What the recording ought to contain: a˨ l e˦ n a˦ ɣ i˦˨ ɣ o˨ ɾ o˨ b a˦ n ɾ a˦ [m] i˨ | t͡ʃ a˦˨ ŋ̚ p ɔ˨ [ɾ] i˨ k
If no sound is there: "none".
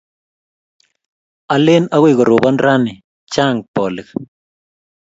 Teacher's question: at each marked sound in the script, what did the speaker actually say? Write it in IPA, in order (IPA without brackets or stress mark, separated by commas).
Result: n, l